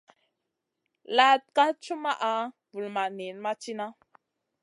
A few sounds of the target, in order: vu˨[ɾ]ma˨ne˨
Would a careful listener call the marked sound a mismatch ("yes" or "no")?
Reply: yes